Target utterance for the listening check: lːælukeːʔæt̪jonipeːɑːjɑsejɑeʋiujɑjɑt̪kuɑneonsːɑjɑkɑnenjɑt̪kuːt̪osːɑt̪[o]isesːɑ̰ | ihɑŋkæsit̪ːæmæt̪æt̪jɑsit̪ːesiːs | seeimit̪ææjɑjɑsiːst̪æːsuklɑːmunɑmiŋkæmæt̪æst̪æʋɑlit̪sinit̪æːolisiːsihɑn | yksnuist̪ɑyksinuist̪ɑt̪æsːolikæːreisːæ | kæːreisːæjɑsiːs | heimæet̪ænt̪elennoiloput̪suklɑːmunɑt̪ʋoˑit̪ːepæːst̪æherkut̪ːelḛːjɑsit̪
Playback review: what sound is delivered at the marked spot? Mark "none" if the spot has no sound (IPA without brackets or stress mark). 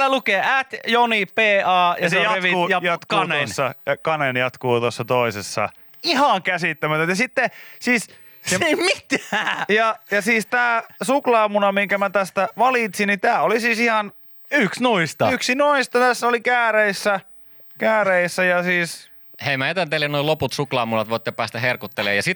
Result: o